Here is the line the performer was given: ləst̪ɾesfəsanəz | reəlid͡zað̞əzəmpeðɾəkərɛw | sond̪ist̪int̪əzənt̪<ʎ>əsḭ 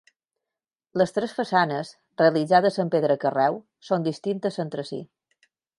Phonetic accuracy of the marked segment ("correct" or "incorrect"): incorrect